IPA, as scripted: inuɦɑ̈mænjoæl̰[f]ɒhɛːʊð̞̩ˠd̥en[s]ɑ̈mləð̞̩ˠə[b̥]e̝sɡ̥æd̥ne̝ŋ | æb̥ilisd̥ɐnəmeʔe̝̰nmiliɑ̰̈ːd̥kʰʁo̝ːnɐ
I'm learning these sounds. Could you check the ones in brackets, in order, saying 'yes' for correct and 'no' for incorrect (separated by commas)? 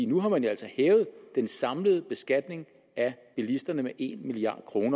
no, yes, yes